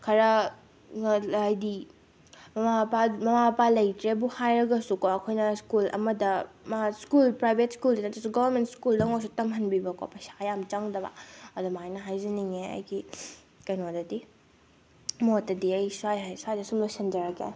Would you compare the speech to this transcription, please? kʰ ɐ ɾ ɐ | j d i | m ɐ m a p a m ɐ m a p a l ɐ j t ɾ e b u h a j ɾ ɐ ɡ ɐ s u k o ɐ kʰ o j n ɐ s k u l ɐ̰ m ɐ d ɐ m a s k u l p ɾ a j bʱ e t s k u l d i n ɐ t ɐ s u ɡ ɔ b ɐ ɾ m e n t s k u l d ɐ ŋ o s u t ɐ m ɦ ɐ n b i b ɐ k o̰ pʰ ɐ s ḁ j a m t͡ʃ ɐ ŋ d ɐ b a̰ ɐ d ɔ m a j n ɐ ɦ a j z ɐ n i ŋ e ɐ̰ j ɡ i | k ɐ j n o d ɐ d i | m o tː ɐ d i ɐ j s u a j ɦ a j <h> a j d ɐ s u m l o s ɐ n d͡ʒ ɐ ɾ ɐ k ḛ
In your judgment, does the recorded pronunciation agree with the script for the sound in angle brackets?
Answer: no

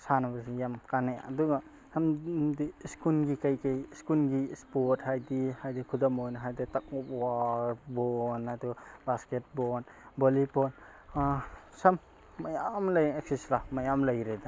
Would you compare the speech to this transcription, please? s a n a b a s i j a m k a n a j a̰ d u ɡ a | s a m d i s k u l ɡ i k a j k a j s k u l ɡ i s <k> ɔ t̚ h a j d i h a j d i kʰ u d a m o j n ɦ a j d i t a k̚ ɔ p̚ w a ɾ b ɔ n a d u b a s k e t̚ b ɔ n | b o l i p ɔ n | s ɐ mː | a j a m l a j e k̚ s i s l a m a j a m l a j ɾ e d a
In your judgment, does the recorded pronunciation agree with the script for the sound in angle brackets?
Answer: no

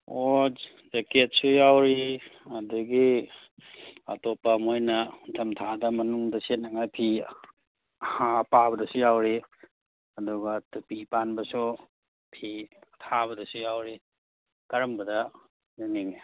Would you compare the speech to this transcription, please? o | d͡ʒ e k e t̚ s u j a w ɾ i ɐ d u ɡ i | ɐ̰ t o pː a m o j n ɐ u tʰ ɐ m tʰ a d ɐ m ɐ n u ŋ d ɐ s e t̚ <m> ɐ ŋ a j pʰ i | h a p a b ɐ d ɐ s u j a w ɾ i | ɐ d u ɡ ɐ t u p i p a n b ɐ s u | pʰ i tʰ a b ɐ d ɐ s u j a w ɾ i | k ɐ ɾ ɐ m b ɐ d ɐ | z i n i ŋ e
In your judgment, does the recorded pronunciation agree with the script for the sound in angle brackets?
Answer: no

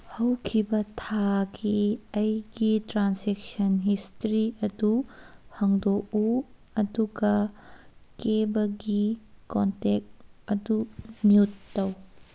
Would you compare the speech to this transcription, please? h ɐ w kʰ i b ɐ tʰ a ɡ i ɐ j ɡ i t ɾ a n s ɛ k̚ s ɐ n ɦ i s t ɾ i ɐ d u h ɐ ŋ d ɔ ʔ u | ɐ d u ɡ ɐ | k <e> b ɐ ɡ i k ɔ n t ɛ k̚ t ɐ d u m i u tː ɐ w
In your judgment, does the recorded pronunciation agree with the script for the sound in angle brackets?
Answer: yes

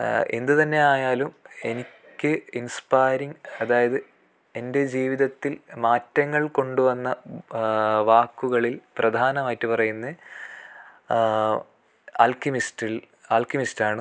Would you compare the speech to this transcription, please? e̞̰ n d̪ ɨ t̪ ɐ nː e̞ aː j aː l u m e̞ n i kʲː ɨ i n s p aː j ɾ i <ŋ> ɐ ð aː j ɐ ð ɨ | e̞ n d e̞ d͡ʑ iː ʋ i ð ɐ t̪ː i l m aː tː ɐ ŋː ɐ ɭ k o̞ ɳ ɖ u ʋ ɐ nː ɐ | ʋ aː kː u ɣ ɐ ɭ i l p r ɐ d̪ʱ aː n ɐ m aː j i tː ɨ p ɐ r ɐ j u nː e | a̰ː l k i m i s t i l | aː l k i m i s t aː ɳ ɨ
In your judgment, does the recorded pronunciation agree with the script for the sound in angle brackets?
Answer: yes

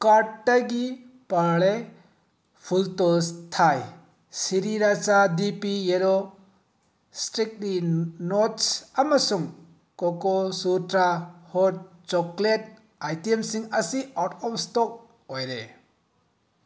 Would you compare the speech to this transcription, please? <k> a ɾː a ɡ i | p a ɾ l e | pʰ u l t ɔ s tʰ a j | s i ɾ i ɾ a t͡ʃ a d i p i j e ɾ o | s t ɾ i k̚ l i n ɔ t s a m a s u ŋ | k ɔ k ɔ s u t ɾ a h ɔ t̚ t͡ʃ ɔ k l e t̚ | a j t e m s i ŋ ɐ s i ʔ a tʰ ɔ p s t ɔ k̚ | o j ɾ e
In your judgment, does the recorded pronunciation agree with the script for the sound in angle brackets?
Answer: yes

